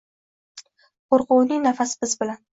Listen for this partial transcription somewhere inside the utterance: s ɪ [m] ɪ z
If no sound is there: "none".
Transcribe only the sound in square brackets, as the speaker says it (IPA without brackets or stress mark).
b